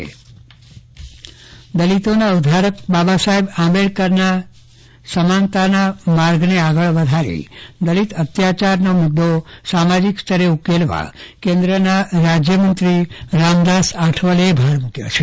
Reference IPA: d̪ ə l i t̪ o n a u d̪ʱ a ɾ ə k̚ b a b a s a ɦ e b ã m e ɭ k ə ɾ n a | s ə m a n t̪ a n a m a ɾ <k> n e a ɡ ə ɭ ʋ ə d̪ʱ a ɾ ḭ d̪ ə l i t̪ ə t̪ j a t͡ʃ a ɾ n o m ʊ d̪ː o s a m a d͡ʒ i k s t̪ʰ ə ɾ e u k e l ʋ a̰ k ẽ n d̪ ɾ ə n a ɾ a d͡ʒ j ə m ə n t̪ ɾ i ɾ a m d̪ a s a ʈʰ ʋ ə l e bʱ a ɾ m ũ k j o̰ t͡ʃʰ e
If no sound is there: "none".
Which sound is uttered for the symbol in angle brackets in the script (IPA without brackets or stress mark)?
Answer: ɡ